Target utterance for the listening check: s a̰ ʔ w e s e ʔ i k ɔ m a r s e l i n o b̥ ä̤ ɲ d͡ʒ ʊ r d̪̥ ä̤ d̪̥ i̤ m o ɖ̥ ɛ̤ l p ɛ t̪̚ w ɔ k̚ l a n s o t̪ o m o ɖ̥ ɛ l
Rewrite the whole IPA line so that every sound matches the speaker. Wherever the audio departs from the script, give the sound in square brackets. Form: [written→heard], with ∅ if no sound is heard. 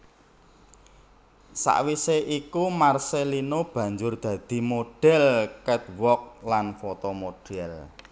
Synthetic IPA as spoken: s a̰ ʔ w [e→i] s e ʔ i k [ɔ→u] m a r s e l i n o b̥ ä̤ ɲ d͡ʒ ʊ r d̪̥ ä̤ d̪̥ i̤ m o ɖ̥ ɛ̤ l [p→k] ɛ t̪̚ w ɔ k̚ l a n [s→f] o t̪ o m o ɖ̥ ɛ l